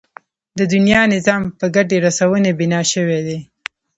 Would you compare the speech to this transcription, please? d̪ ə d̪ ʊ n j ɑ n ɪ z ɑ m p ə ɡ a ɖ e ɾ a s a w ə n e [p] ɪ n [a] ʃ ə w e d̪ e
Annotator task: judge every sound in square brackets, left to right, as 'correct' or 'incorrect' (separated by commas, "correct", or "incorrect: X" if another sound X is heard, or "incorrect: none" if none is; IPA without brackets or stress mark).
incorrect: b, incorrect: ɑ